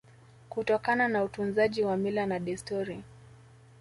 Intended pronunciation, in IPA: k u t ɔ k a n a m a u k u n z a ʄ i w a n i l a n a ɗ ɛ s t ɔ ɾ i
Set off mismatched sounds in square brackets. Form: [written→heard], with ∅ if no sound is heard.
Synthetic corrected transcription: k u t ɔ k a n a [m→n] a u [k→t] u n z a ʄ i w a [n→m] i l a n a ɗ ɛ s t ɔ ɾ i